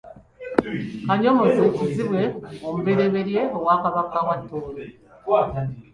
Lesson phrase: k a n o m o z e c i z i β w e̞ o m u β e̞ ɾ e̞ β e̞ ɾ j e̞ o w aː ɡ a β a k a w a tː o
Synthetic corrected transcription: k a ɲ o m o z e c i z i β w e̞ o m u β e̞ ɾ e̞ β e̞ ɾ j e̞ o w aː k a β a k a w a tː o